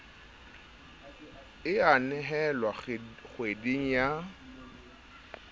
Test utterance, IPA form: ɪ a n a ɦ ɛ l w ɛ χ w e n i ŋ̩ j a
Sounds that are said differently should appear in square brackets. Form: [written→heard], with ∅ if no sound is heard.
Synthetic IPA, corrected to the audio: ɪ a n [a→ɛ] ɦ ɛ l w [ɛ→a] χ w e [n→d] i ŋ̩ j a

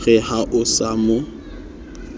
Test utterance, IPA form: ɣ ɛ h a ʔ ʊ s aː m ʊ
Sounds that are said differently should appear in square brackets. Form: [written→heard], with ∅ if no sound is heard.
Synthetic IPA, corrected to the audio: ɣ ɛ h a ʔ ʊ s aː m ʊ

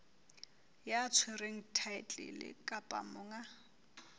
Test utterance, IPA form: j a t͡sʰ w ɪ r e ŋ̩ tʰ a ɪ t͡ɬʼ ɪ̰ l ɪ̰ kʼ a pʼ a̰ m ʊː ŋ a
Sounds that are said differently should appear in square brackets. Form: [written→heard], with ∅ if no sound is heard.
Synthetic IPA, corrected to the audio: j a t͡sʰ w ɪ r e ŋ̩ tʰ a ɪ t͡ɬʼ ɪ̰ l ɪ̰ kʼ a pʼ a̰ m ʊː ŋ a

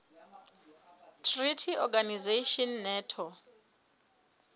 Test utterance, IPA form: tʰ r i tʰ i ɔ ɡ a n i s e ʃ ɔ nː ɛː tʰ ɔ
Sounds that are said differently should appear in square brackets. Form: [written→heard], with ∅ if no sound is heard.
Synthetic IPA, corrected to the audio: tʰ r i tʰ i ɔ ɡ a n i [s→z] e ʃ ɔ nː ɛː tʰ ɔ

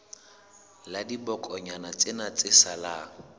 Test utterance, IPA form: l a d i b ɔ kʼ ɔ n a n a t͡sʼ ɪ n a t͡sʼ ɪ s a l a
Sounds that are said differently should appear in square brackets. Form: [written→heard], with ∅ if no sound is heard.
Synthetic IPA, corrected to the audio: l a d i b ɔ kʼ ɔ [n→ɲ] a n a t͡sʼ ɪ n a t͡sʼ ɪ s a l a

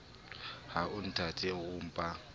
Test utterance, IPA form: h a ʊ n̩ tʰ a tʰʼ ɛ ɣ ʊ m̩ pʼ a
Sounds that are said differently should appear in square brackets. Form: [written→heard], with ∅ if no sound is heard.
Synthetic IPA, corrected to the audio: h a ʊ n̩ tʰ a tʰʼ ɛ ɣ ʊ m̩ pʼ a

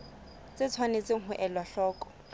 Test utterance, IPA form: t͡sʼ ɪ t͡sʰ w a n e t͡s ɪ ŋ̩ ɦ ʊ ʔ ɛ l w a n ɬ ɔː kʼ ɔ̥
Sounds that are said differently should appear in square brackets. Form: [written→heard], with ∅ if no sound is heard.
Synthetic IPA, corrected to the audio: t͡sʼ ɪ t͡sʰ w a n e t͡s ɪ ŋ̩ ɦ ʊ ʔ ɛ l w a [n→∅] ɬ ɔː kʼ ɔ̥

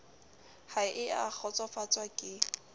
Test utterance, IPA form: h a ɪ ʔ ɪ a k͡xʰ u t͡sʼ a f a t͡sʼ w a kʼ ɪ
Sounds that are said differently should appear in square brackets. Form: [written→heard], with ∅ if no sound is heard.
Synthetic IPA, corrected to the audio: h a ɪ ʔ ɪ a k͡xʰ [u→ɔ] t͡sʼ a f a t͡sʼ w a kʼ ɪ

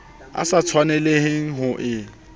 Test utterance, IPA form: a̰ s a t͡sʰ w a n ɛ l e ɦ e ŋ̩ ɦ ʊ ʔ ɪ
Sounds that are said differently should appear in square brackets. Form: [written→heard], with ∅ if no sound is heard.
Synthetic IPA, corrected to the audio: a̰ s a t͡sʰ w a n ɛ l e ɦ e ŋ̩ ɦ ʊ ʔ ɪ

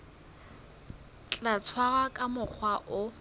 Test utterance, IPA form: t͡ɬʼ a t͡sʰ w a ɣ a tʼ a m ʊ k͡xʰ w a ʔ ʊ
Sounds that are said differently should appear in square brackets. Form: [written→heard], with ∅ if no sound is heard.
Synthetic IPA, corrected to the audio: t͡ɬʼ a t͡sʰ w a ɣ a [tʼ→kʼ] a m ʊ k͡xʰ w a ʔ ʊ

